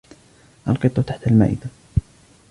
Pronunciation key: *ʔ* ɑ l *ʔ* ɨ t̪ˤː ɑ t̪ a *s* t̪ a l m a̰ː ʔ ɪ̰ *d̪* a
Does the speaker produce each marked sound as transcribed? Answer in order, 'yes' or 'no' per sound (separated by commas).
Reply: yes, no, no, yes